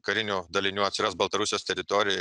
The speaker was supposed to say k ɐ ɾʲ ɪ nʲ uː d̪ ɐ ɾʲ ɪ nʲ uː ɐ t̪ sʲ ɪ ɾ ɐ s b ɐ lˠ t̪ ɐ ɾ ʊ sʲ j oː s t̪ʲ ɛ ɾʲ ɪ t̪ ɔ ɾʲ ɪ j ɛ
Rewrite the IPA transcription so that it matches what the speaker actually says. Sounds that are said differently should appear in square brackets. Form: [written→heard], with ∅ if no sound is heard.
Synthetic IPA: k ɐ ɾʲ ɪ nʲ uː d̪ ɐ [ɾʲ→lʲ] ɪ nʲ uː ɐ t̪ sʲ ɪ ɾ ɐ s b ɐ lˠ t̪ ɐ ɾ ʊ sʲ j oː s t̪ʲ ɛ ɾʲ ɪ t̪ ɔ ɾʲ ɪ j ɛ

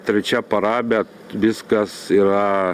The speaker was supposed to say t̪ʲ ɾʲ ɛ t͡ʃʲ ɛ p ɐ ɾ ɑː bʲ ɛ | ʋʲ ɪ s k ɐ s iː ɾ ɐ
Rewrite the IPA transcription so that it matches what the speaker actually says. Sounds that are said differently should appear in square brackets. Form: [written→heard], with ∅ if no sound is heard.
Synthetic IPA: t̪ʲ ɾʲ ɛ t͡ʃʲ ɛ p ɐ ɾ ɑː bʲ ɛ | ʋʲ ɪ s k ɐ s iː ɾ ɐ

